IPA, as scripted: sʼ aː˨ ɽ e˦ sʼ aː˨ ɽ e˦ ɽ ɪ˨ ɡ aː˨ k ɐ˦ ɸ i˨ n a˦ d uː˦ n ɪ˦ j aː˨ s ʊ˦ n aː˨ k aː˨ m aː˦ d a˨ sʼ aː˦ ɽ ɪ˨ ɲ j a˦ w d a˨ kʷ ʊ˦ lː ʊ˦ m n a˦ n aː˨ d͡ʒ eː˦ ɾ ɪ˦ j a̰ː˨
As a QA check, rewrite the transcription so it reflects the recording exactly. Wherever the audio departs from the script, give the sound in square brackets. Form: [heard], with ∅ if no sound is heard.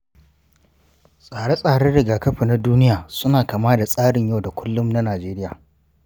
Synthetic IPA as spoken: sʼ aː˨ ɽ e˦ sʼ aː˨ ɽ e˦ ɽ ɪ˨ ɡ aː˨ k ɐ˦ ɸ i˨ n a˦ d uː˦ n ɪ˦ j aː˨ s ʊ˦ n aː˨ k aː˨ m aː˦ d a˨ sʼ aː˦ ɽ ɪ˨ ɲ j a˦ w d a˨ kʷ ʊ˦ lː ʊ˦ m n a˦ n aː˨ d͡ʒ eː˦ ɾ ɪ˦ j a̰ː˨

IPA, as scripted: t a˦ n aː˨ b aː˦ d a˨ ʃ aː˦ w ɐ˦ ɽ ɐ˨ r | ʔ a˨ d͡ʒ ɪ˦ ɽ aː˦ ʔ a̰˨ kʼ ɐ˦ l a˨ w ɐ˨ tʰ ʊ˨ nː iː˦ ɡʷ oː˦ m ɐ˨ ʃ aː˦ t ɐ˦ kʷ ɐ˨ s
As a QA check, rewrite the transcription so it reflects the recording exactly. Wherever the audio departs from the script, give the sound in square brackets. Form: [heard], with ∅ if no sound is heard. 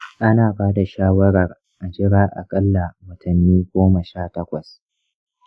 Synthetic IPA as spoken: [ʔ] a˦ n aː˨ b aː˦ d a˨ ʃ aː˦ w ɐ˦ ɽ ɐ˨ r | ʔ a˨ d͡ʒ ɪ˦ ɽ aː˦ ʔ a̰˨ kʼ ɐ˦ [lː] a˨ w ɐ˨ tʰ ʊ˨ nː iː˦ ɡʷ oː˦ m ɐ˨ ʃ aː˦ t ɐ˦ kʷ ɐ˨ s

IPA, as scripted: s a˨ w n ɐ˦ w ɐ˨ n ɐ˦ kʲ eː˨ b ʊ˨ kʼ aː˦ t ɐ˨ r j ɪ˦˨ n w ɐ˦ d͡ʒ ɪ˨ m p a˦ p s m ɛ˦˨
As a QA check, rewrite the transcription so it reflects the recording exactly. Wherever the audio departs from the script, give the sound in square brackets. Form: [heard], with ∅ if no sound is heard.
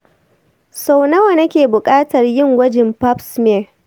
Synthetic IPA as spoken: s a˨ w n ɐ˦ w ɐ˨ n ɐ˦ kʲ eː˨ b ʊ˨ kʼ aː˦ t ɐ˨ r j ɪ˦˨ [ŋ] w ɐ˦ d͡ʒ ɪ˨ m p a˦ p s m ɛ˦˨

